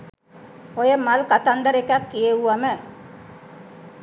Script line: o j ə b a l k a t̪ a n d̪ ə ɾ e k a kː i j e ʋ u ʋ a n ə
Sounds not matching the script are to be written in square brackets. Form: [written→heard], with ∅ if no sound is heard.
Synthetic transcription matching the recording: o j ə [b→m] a l k a t̪ a n d̪ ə ɾ e k a kː i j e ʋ u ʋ a [n→m] ə